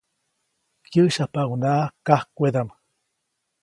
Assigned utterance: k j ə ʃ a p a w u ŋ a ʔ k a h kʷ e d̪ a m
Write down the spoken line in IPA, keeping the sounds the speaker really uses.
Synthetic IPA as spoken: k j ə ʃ a p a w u n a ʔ k a h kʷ e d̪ a m

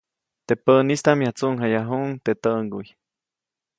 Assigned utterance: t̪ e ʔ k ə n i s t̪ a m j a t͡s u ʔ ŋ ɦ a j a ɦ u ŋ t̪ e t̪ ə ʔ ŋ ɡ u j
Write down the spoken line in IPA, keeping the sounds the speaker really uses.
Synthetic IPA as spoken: t̪ e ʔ p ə n i s t̪ a m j a t͡s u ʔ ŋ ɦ a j a ɦ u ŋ t̪ e t̪ ə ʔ ŋ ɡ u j

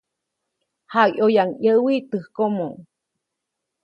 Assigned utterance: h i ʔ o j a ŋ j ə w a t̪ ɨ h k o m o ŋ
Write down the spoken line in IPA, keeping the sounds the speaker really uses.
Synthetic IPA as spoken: h a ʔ o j a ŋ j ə w i t̪ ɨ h k o m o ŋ

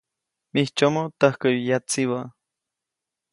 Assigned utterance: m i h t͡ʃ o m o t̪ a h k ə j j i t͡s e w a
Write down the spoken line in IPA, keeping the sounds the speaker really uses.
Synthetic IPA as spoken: m i h t͡ʃ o m o t̪ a h k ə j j a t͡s i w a

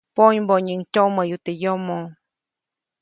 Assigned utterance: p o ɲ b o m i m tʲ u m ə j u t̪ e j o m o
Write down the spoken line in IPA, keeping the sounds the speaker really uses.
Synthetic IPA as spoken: p o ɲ b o ɲ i ŋ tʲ o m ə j u t̪ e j o m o

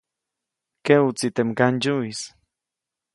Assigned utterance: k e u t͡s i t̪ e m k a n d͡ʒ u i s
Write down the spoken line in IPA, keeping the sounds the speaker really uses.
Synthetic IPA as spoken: k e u t͡s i t̪ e m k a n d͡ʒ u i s

